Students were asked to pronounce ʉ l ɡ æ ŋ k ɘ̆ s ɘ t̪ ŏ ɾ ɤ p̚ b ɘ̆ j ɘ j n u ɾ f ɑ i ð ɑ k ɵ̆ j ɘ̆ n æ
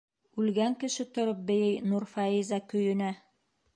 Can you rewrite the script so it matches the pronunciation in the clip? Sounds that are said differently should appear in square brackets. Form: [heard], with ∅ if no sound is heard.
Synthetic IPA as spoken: ʉ l ɡ æ ŋ k ɘ̆ [ʃ] ɘ t̪ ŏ ɾ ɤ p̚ b ɘ̆ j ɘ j n u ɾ f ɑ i [z] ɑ k ɵ̆ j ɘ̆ n æ

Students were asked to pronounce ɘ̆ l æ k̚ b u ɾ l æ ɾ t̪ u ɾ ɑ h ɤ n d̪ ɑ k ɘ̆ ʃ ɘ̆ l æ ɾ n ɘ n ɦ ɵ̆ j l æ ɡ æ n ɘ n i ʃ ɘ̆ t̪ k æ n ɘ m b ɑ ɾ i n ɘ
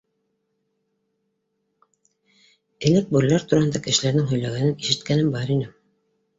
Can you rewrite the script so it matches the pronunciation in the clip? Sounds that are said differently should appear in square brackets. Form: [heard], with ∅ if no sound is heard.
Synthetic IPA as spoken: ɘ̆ l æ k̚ b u ɾ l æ ɾ t̪ u ɾ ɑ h ɤ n d̪ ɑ k ɘ̆ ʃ ɘ̆ l æ ɾ n ɘ [ŋ] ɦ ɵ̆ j l æ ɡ æ n ɘ n i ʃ ɘ̆ t̪ k æ n ɘ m b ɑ ɾ i n ɘ

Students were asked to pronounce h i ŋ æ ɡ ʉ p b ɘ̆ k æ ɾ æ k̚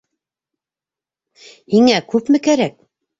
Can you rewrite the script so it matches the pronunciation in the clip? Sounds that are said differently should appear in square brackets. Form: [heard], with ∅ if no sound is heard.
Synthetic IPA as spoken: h i ŋ æ [k] ʉ p [m] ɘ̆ k æ ɾ æ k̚

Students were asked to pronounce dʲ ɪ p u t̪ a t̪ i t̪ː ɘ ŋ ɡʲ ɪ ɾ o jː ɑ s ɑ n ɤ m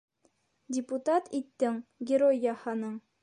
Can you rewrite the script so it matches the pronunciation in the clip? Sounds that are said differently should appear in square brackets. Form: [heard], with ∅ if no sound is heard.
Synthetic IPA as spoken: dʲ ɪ p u t̪ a t̪ i t̪ː ɘ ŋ ɡʲ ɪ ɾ o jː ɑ [h] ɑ n ɤ [ɴ]

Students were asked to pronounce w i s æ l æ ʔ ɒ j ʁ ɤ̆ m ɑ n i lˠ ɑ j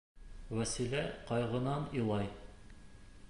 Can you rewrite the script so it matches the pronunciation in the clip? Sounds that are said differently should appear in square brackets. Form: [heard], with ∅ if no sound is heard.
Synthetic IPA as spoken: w [æ] s [i] l æ [q] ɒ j ʁ ɤ̆ [n] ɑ n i lˠ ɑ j

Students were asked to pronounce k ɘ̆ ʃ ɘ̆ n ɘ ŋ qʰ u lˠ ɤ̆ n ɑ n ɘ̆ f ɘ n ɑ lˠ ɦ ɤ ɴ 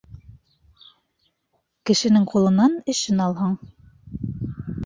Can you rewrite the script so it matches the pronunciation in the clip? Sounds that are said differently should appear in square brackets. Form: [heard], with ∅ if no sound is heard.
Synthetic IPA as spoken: k ɘ̆ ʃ ɘ̆ n ɘ ŋ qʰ u lˠ ɤ̆ n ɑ n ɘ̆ [ʃ] ɘ n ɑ lˠ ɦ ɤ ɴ

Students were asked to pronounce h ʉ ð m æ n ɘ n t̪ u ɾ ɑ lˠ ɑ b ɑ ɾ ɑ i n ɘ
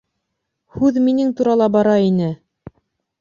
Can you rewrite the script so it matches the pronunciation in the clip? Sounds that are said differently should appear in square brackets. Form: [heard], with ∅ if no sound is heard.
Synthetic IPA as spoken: h ʉ ð m [i] n ɘ [ŋ] t̪ u ɾ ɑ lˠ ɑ b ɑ ɾ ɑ i n ɘ

